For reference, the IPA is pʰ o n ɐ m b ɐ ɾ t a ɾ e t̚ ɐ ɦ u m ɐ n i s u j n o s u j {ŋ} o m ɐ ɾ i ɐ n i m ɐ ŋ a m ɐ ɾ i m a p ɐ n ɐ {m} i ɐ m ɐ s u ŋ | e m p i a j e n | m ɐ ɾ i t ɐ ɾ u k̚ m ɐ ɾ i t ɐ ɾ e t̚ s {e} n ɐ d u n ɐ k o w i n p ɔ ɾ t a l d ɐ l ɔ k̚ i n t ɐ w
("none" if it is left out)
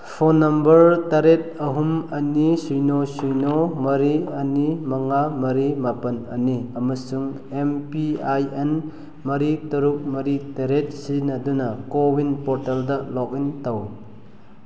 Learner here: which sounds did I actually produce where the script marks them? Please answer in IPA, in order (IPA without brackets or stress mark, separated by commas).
n, n, i